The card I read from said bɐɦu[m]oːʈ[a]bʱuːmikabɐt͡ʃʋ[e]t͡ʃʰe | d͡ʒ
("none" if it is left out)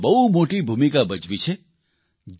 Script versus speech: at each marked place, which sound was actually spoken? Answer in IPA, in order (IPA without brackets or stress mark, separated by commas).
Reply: m, i, i